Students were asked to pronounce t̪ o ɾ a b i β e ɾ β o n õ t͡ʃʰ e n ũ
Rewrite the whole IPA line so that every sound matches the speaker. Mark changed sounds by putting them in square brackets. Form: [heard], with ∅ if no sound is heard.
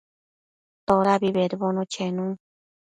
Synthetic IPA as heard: t̪ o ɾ a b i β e ɾ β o n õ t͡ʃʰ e n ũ